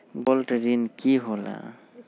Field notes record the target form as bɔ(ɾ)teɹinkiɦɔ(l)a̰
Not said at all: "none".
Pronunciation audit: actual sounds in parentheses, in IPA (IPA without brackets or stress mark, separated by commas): l, l